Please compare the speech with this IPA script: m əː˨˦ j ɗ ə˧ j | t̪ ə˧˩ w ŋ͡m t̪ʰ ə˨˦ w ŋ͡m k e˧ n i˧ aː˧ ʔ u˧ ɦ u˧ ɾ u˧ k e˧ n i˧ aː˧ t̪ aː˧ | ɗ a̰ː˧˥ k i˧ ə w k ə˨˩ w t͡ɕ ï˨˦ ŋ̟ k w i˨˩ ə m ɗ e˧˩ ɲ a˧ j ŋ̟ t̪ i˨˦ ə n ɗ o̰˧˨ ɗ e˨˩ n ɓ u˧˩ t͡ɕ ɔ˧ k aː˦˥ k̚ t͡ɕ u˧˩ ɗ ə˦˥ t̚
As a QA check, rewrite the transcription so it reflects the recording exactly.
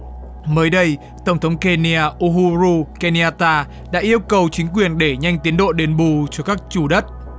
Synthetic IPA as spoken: m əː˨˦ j ɗ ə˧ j | t̪ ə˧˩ w ŋ͡m t̪ʰ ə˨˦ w ŋ͡m k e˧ n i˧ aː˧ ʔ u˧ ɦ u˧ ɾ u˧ k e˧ n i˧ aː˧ t̪ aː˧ | ɗ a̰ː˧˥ ʔ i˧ ə w k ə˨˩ w t͡ɕ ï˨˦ ŋ̟ k w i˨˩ ə n ɗ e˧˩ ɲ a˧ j ŋ̟ t̪ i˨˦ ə n ɗ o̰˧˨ ɗ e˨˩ n ɓ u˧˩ t͡ɕ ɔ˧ k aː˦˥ k̚ t͡ɕ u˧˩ ɗ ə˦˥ t̚